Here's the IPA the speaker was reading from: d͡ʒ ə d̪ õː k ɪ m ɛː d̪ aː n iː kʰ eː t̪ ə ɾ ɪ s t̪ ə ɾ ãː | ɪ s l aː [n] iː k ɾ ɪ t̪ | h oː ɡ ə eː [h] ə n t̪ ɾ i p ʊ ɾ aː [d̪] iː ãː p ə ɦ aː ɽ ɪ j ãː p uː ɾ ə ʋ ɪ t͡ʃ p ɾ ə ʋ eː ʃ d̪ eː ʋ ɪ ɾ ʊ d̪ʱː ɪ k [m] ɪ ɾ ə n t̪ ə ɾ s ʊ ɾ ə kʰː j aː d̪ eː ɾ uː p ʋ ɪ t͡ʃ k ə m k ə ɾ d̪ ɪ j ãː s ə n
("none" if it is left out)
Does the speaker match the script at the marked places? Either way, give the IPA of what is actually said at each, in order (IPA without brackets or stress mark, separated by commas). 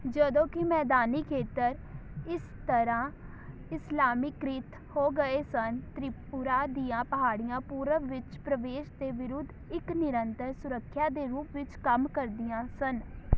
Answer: m, s, d̪, n